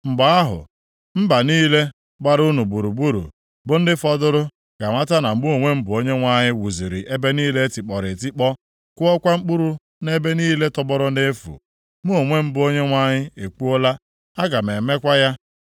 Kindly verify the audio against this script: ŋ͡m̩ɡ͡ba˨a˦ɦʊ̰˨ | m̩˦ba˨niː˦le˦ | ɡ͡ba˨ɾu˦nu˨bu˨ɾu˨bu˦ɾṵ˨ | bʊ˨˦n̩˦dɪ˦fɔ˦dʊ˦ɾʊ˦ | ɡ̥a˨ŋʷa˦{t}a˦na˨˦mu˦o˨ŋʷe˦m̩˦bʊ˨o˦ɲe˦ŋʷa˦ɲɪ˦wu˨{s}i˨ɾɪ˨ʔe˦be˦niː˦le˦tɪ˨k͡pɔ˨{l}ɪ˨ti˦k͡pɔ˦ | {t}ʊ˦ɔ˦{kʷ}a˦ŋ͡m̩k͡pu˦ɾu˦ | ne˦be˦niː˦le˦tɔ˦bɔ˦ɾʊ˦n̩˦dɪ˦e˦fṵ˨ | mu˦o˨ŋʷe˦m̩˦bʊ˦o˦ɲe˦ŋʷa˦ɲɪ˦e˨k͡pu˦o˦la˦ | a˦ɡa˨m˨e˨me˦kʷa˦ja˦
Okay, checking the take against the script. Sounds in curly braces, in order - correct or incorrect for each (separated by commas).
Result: correct, incorrect, incorrect, incorrect, correct